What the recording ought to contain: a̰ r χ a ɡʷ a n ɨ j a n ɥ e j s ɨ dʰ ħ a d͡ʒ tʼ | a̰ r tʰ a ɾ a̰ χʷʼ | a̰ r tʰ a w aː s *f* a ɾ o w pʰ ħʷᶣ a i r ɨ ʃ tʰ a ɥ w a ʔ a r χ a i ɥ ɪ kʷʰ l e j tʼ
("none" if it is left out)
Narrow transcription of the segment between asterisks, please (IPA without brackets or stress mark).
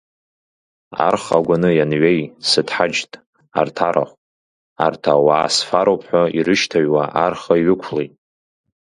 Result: f